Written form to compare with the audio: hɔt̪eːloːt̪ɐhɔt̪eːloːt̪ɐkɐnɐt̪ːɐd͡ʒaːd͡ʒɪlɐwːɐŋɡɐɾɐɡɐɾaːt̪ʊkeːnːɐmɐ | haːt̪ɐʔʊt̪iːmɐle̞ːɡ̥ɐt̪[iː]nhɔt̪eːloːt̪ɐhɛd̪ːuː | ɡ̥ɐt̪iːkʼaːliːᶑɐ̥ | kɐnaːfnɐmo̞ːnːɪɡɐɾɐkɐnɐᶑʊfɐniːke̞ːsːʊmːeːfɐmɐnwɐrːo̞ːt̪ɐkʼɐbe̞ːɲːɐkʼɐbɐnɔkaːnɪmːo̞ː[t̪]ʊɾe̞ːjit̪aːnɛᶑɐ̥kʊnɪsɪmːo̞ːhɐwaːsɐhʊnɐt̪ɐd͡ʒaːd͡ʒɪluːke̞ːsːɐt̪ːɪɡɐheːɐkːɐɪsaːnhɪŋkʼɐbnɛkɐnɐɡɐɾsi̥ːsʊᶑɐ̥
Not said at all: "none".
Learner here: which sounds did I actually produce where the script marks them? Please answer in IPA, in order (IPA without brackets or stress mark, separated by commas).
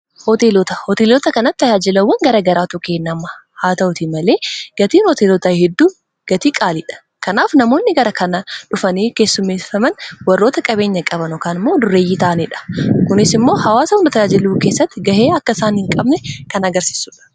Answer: iː, d̪